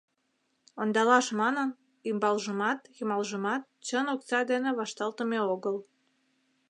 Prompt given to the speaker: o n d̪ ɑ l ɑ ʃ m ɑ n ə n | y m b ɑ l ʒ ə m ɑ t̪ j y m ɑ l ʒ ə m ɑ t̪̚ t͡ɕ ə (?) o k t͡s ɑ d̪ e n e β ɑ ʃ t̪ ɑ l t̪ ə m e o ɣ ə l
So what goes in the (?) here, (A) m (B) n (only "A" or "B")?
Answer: B